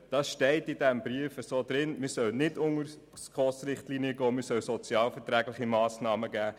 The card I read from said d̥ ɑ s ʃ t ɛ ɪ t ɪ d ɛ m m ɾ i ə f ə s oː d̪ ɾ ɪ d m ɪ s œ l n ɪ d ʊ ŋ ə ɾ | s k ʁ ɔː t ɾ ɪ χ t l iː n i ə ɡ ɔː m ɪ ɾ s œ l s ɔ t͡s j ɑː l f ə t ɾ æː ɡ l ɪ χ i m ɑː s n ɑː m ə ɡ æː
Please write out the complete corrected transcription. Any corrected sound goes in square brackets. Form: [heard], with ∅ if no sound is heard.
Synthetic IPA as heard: d̥ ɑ s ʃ t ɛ ɪ t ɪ d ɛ m [b] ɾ i ə f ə s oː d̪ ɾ ɪ [n] m ɪ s œ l n ɪ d ʊ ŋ ə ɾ | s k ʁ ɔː [s] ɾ ɪ χ t l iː n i ə ɡ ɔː m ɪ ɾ s œ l s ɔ t͡s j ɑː l f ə t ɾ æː ɡ l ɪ χ i m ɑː s n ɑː m ə ɡ æː